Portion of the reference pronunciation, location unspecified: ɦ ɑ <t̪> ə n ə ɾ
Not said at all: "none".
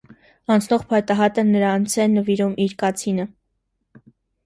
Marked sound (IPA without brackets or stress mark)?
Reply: t̪